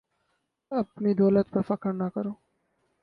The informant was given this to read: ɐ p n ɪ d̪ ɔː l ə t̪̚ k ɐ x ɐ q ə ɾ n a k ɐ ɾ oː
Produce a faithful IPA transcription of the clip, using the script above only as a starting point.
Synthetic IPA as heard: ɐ p n i d̪ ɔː l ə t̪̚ p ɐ f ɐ k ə ɾ n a k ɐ ɾ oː